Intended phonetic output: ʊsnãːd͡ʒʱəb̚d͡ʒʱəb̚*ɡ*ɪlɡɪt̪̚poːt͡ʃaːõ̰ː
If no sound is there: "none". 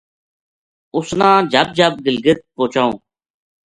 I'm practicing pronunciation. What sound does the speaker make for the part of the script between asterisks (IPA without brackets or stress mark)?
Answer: ɡ